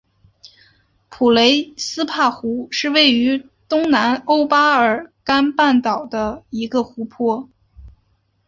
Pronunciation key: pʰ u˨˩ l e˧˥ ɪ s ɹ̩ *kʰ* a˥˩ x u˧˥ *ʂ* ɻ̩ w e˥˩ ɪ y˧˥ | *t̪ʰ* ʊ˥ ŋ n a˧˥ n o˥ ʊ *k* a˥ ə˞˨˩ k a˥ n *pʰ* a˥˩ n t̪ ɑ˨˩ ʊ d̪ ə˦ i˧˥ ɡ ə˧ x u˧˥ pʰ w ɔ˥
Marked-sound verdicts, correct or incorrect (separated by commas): incorrect, correct, incorrect, incorrect, incorrect